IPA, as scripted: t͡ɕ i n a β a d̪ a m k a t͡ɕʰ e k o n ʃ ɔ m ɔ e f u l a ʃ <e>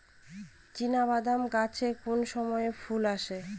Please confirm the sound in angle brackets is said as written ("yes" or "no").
yes